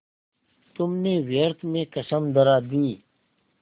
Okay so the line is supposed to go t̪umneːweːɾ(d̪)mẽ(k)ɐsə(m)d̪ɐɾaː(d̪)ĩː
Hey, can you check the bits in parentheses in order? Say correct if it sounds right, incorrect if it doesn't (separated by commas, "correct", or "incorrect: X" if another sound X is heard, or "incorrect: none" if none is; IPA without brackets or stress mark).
incorrect: t̪, correct, correct, correct